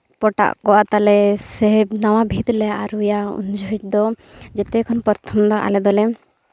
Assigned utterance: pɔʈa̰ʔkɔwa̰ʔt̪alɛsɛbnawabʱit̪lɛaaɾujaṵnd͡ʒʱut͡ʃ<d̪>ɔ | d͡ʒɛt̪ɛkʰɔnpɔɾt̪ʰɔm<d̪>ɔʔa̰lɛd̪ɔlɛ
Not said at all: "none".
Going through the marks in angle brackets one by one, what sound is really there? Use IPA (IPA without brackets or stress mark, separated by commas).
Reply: d̪, d̪